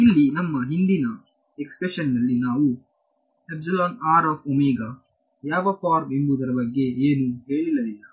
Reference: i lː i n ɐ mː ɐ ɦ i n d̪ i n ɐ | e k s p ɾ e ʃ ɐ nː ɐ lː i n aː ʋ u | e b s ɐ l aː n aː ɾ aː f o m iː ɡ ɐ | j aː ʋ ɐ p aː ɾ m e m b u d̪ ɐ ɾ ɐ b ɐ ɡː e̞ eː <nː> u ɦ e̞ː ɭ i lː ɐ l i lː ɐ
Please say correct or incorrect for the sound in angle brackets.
incorrect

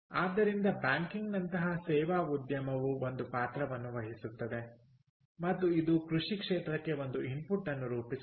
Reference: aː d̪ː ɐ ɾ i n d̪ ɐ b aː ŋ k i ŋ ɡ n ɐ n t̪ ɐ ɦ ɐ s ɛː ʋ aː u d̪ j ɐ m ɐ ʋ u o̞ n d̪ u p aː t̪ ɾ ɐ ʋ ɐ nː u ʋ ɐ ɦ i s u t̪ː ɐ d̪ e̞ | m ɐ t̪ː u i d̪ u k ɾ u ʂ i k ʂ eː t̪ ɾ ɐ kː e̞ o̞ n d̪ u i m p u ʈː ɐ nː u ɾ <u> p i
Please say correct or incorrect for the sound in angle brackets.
incorrect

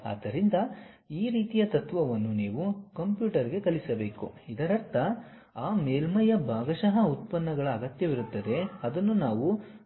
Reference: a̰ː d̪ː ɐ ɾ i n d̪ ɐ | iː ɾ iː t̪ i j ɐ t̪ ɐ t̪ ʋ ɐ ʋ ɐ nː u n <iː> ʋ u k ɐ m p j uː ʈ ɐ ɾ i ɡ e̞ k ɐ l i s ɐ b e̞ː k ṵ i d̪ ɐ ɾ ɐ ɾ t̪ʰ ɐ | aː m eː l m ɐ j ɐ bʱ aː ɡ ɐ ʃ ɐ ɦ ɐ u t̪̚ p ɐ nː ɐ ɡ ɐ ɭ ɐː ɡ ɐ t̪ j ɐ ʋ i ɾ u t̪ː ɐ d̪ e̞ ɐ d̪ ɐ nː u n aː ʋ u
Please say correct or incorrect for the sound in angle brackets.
correct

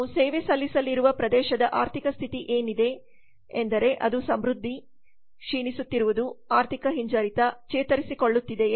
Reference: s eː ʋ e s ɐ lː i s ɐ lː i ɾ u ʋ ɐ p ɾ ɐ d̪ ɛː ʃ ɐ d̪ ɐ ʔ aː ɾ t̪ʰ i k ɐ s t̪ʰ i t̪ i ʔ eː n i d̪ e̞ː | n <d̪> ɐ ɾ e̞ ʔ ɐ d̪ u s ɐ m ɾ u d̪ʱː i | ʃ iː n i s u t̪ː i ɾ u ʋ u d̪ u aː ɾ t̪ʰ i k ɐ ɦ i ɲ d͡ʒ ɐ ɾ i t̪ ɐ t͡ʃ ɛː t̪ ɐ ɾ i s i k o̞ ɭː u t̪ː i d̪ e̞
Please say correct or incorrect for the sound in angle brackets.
correct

